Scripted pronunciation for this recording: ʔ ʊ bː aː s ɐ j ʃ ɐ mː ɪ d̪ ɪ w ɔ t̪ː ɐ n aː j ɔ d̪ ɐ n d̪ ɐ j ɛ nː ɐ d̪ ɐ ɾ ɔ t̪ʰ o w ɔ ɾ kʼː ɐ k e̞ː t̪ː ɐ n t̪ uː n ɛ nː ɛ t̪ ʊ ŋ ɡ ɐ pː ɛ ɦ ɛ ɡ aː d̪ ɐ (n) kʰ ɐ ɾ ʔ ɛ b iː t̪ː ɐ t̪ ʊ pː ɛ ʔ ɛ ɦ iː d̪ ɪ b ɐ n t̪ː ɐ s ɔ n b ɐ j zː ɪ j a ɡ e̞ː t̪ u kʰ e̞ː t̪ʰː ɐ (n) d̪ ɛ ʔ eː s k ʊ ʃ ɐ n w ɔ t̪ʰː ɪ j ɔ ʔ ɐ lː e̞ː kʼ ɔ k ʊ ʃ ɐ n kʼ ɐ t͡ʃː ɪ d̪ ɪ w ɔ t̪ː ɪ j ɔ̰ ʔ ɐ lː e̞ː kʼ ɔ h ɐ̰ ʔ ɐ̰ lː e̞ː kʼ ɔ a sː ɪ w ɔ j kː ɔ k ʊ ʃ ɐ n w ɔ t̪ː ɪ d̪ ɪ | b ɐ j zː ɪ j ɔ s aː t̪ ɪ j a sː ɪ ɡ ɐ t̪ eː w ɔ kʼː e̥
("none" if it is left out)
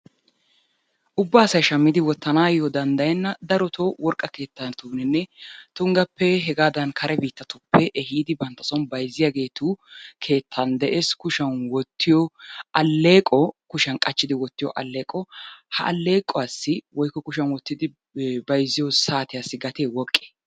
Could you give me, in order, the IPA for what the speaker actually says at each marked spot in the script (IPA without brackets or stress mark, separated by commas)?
n, n